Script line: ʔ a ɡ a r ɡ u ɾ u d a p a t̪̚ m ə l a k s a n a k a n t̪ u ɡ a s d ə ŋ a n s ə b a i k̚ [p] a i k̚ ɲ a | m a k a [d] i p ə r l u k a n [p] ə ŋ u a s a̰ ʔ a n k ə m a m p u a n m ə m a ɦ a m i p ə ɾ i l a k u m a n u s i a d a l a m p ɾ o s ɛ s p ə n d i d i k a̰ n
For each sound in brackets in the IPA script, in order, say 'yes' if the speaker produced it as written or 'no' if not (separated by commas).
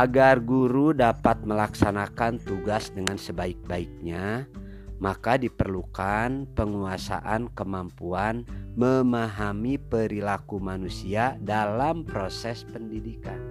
no, yes, yes